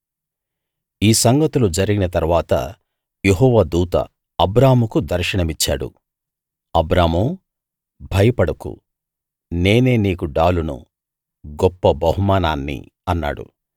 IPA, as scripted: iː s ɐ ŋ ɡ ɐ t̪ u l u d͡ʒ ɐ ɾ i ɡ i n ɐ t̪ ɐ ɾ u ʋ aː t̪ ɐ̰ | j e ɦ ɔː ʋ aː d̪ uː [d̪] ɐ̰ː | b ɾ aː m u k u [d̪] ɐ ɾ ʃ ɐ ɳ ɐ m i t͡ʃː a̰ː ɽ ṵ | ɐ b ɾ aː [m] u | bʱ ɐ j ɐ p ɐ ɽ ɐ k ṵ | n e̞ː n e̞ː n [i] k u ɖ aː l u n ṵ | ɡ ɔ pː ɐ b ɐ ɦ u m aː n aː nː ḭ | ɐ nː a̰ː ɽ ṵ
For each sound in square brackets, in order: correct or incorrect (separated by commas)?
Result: incorrect, correct, correct, incorrect